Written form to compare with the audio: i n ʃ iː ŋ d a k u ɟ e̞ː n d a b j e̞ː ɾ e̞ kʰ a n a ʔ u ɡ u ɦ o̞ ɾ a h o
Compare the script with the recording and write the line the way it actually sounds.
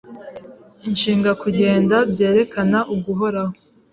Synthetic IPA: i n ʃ iː ŋ ɡ a k u ɟ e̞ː n d a b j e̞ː ɾ e̞ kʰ a n a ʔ u ɡ u ɦ o̞ ɾ a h o